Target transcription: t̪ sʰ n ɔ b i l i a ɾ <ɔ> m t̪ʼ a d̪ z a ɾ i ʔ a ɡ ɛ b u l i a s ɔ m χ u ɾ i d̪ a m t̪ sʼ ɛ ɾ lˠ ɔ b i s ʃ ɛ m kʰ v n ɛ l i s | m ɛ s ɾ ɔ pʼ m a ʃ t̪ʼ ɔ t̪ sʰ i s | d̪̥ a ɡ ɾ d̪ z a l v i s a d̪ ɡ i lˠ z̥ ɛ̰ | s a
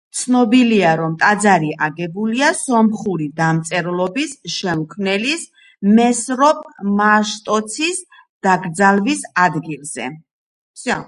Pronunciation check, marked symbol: correct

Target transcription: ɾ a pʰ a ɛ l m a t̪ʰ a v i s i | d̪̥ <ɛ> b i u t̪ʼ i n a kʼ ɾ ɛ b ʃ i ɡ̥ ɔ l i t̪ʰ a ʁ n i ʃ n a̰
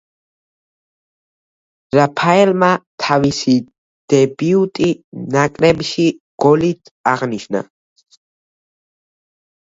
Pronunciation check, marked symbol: correct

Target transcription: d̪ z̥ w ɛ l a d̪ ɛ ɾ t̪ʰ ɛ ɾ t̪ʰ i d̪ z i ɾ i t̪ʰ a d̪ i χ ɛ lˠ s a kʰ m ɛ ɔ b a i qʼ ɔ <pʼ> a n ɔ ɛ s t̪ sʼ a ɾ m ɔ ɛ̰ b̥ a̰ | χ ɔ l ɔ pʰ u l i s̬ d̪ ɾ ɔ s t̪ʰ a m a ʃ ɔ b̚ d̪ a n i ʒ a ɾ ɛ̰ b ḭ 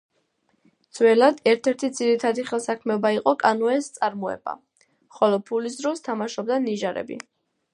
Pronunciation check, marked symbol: incorrect: kʼ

